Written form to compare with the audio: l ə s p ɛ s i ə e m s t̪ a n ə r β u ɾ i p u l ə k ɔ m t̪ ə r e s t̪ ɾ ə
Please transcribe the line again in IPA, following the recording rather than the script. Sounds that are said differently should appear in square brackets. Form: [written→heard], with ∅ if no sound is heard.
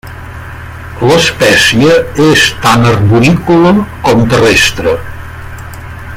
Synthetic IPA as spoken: l ə s p ɛ s i ə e [m→∅] s t̪ a n ə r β u ɾ i [p→k] u l ə k ɔ m t̪ ə r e s t̪ ɾ ə